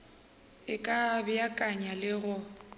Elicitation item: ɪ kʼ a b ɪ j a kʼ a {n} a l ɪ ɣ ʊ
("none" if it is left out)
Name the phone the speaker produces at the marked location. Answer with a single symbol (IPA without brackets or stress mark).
ɲ